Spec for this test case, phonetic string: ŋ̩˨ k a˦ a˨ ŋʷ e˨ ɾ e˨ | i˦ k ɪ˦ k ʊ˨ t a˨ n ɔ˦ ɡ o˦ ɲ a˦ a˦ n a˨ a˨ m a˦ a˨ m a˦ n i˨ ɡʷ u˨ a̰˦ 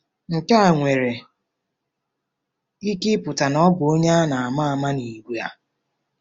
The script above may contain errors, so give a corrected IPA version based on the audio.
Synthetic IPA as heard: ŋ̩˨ k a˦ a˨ ŋʷ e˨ ɾ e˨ | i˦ k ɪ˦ p ʊ˨ t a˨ n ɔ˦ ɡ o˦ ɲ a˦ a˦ n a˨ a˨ m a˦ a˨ m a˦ n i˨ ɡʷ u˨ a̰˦